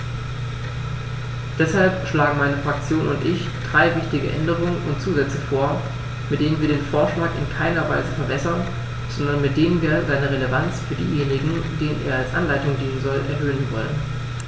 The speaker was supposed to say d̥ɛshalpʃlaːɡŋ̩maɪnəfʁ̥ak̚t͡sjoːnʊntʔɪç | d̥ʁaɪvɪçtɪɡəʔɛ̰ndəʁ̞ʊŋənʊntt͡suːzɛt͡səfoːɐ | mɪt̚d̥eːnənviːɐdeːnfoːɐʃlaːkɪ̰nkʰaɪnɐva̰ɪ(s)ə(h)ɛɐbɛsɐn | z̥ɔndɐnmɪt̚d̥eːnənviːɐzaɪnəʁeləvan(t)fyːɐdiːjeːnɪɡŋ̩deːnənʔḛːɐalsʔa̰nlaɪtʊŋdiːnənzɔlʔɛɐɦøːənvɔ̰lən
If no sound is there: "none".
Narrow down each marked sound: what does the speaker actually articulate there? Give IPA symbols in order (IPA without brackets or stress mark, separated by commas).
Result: z, f, t͡s